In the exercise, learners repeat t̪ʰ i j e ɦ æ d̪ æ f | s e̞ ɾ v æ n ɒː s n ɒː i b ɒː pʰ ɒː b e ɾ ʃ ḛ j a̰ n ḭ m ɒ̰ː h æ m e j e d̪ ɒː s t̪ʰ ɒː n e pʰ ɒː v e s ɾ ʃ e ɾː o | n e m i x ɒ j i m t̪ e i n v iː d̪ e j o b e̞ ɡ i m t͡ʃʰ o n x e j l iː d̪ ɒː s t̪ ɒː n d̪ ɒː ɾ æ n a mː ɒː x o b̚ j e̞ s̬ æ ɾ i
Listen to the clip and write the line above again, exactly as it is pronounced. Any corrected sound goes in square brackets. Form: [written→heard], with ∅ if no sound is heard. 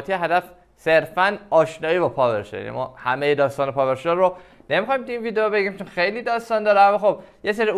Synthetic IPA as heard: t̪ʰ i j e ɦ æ d̪ æ f | s e̞ ɾ [v→f] æ n ɒː [s→ʃ] n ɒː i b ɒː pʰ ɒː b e ɾ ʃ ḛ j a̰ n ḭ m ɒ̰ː h æ m e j e d̪ ɒː s [t̪ʰ→t̪] ɒː n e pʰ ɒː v e [s→∅] ɾ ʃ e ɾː o | n e m i x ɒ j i m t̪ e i n v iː d̪ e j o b e̞ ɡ i m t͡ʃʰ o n x e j l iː d̪ ɒː s t̪ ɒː n d̪ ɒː ɾ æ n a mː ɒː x o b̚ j e̞ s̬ [æ→e] ɾ i